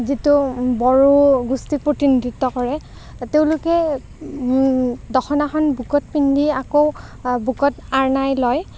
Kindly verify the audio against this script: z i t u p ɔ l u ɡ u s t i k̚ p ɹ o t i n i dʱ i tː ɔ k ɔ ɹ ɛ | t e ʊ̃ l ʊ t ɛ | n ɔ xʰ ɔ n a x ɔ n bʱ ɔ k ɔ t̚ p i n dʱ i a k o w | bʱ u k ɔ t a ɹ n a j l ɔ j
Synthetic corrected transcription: z i t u b ɔ ɹ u ɡ u s t i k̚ p ɹ o t i n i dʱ i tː ɔ k ɔ ɹ ɛ | t e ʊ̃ l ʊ k ɛ | d ɔ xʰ ɔ n a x ɔ n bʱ u k ɔ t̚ p i n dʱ i a k o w | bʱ u k ɔ t a ɹ n a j l ɔ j